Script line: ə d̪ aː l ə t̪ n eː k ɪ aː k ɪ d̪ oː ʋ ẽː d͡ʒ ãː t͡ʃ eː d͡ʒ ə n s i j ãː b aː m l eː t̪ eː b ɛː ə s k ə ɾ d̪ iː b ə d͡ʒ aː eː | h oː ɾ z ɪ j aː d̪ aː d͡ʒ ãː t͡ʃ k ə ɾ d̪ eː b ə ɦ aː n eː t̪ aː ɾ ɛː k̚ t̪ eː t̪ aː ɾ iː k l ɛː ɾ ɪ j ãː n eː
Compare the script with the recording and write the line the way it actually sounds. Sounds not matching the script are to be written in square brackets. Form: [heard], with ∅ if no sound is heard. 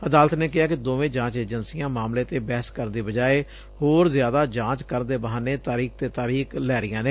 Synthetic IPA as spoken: ə d̪ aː l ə t̪ n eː k ɪ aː k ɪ d̪ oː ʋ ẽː d͡ʒ ãː t͡ʃ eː d͡ʒ ə n s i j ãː [m] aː m l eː t̪ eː b ɛː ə s k ə ɾ d̪ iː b ə d͡ʒ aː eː | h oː ɾ z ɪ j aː d̪ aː d͡ʒ ãː t͡ʃ k ə ɾ d̪ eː b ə ɦ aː n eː t̪ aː ɾ [iː] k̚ t̪ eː t̪ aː ɾ iː k l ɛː ɾ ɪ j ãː n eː